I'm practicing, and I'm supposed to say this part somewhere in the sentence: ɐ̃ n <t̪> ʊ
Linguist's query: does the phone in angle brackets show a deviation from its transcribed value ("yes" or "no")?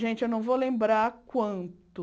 no